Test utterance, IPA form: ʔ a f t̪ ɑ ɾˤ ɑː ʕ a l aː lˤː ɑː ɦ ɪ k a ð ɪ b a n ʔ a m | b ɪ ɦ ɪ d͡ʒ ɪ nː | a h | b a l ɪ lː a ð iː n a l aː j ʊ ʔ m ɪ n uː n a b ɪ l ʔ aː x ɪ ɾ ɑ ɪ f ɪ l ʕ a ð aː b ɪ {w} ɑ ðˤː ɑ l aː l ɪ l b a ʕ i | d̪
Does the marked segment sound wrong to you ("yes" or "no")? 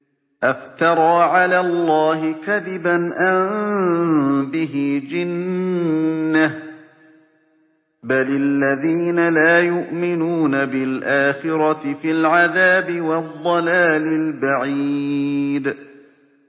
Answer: no